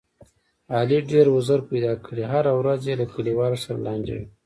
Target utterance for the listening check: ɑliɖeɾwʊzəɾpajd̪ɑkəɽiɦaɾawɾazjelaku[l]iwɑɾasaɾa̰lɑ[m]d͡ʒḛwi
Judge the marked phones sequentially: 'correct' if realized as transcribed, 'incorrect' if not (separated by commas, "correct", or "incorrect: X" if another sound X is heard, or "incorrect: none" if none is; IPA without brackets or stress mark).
correct, incorrect: n